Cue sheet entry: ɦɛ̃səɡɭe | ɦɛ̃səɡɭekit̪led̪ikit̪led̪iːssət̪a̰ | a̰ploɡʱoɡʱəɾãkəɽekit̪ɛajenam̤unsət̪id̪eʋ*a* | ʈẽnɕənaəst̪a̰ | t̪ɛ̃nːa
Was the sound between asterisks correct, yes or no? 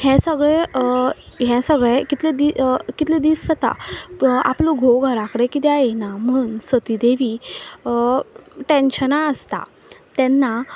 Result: no